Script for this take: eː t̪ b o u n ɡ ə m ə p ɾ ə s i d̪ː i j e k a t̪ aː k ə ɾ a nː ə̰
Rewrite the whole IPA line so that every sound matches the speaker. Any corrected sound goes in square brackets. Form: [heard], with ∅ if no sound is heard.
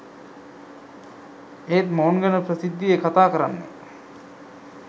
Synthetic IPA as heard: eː t̪ [m] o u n ɡ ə [n] ə p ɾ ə s i d̪ː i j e k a t̪ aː k ə ɾ a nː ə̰